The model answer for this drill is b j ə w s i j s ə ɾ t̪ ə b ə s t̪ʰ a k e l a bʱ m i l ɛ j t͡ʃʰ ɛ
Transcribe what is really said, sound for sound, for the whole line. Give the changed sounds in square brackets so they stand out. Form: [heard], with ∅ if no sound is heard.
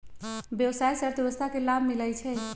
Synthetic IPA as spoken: b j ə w s [a] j s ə ɾ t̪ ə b ə s t̪ʰ a k e l a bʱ m i l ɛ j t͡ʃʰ ɛ